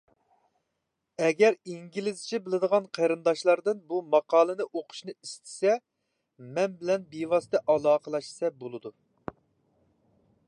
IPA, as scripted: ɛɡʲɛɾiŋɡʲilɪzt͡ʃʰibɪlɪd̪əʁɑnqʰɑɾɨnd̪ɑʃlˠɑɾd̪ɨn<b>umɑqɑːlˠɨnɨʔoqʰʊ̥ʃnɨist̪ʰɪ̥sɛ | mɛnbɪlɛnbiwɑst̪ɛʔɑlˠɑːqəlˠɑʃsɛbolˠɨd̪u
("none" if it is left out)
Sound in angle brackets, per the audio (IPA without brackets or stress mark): b